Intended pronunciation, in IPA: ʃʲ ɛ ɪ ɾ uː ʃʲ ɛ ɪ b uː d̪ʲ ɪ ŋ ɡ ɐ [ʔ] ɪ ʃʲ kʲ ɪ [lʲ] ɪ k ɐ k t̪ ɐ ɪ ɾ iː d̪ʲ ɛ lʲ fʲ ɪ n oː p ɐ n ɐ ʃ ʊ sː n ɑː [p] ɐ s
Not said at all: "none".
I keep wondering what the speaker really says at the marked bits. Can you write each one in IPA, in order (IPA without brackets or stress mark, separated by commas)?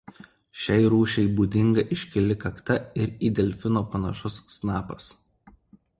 ʔ, lʲ, p